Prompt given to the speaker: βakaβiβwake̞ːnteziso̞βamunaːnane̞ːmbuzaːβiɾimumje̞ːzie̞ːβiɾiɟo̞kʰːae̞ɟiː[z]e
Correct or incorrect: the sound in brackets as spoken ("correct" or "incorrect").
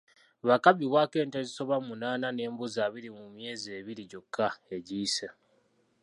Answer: incorrect